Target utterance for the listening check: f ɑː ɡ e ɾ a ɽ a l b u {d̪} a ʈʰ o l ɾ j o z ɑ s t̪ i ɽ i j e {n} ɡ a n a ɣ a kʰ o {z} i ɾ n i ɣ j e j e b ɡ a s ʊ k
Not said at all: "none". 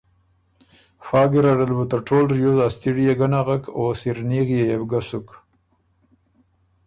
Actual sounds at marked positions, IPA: t̪, none, s

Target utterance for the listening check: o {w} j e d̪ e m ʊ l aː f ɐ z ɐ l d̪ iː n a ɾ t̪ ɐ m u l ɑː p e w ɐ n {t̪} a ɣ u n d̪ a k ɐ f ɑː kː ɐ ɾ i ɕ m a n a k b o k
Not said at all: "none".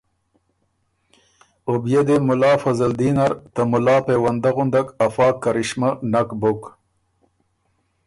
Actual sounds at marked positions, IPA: b, d̪

